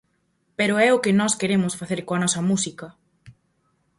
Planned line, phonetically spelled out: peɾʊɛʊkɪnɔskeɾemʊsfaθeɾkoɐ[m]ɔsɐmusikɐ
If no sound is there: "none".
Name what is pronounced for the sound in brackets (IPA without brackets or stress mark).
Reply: n